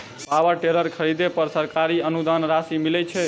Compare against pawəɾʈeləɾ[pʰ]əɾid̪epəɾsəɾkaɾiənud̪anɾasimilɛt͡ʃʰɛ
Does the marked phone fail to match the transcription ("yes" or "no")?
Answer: yes